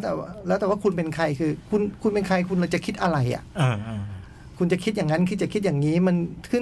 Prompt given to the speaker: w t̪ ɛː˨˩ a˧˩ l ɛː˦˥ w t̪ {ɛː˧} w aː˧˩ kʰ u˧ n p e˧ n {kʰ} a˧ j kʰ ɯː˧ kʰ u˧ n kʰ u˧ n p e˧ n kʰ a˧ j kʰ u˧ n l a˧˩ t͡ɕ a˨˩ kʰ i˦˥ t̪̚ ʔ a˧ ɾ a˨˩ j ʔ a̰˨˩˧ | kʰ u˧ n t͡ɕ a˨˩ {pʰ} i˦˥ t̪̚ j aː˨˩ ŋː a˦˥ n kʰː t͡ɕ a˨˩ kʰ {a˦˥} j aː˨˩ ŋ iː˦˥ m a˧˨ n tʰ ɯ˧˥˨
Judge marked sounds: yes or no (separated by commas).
no, yes, no, no